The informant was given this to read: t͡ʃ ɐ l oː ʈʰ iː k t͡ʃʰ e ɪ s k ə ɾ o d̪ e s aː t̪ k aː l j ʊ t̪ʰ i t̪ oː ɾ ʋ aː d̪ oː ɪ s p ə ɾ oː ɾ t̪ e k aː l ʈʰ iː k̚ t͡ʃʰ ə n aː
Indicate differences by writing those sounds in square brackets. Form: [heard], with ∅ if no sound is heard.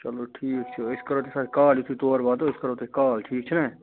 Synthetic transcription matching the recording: t͡ʃ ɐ l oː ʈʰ iː k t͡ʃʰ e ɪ s k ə ɾ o [t̪] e s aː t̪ k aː l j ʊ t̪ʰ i t̪ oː ɾ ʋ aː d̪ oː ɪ s [k] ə ɾ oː [∅] t̪ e k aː l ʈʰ iː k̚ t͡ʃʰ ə n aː